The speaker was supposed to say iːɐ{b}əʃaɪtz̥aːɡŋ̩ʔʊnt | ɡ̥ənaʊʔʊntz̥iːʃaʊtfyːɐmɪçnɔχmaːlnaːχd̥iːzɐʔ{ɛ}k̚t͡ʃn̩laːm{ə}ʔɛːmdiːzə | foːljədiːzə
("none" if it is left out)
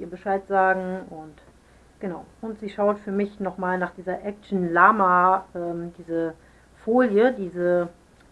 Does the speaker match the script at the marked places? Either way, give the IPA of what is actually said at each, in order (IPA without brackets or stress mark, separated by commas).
b, ɛ, a